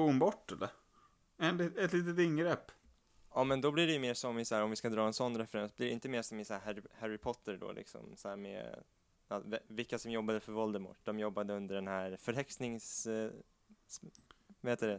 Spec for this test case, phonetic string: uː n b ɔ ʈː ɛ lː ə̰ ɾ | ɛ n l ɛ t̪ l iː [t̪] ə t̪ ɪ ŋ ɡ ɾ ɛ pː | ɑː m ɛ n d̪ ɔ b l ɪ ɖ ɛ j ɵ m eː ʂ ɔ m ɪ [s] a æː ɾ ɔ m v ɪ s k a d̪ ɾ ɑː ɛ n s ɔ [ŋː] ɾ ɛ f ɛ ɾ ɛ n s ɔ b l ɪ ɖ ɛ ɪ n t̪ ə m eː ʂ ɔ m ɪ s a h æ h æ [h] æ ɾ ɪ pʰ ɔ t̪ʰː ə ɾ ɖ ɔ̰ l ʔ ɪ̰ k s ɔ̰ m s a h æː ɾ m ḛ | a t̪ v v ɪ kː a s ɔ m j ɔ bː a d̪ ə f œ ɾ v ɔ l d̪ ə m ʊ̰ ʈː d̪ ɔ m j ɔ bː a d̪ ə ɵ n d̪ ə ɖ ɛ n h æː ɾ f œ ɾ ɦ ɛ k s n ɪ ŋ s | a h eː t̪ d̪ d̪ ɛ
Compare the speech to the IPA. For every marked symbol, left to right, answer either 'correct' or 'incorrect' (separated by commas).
correct, correct, incorrect, correct